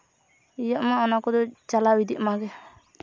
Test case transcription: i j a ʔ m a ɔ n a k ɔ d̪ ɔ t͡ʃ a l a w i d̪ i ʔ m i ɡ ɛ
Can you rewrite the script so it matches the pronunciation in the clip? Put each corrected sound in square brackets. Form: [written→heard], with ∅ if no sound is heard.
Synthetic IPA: i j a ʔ m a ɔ n a k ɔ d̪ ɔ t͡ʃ a l a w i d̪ i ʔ m [i→a] ɡ ɛ